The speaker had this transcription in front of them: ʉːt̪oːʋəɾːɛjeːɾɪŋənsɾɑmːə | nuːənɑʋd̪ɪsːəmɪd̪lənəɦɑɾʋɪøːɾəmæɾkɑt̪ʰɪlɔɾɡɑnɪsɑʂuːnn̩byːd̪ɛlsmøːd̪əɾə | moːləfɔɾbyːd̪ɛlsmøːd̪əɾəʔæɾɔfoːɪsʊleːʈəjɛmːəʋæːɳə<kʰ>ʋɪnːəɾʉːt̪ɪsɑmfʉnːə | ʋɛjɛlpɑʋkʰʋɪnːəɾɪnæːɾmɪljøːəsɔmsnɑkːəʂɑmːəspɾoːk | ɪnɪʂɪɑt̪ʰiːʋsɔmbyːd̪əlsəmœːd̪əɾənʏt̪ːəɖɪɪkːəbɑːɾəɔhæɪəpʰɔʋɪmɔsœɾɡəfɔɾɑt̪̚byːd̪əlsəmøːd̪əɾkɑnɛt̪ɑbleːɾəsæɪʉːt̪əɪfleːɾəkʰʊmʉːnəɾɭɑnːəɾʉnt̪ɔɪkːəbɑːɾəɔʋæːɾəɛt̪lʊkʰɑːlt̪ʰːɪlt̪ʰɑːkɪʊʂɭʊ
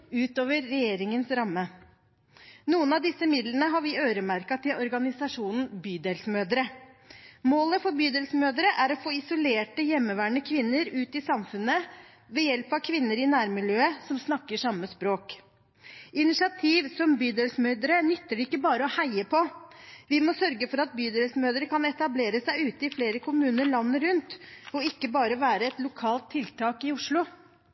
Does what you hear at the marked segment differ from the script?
no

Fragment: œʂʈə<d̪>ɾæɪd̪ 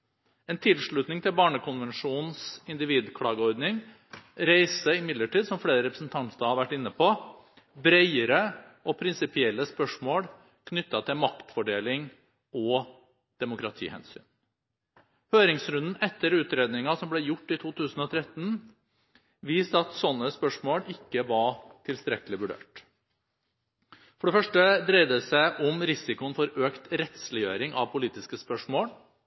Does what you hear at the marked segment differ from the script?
no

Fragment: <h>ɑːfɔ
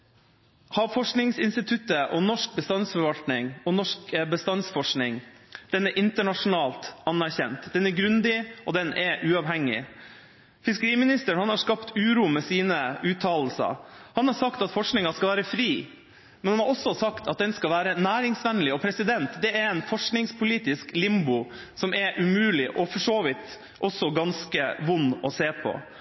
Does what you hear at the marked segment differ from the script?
no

